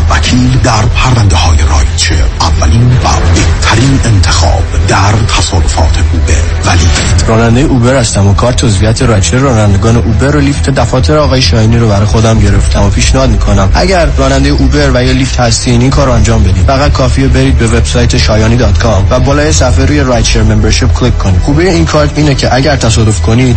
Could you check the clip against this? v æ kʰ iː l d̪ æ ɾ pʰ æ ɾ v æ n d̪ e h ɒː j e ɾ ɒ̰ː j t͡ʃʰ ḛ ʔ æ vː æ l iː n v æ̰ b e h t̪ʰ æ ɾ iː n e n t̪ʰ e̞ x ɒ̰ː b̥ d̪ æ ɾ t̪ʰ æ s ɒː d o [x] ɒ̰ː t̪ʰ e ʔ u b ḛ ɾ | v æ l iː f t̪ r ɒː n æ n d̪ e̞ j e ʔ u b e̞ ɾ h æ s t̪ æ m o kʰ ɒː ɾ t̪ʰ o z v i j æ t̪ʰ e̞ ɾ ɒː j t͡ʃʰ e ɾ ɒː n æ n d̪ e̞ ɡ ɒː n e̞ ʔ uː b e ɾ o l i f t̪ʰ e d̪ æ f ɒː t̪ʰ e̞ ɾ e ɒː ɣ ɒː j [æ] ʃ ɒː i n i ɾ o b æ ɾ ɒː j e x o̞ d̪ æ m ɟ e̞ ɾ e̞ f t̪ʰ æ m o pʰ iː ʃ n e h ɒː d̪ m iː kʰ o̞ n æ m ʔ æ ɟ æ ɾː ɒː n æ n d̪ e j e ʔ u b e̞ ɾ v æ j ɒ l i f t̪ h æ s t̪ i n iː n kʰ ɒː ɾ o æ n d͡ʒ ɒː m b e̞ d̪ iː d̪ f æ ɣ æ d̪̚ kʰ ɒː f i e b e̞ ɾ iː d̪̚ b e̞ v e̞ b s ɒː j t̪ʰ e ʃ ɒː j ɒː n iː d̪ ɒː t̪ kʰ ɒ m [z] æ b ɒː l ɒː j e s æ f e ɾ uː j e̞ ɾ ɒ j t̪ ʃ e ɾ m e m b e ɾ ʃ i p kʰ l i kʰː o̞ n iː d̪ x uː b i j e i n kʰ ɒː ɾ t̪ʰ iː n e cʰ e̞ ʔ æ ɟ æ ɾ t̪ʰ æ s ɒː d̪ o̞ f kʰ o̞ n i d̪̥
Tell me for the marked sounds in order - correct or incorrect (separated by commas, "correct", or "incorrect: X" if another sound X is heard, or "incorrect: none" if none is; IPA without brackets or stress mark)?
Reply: incorrect: f, incorrect: e, incorrect: v